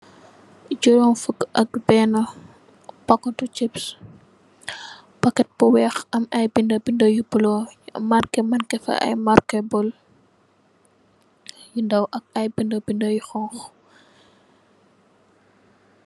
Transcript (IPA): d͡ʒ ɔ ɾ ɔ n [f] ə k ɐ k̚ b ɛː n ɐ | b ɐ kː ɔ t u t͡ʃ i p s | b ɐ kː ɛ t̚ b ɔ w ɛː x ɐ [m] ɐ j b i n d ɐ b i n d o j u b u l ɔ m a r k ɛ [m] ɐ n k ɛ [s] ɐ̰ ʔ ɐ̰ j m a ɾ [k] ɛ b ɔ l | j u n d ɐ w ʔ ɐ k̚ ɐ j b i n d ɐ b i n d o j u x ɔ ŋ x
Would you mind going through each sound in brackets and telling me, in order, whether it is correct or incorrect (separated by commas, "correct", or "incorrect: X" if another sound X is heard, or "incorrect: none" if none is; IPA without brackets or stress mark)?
correct, correct, correct, incorrect: f, correct